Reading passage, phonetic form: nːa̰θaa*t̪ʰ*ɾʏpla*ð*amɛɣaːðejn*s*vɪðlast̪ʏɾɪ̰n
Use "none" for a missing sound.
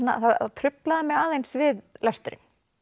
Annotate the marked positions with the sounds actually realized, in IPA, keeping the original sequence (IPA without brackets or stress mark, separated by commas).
t̪ʰ, ð, s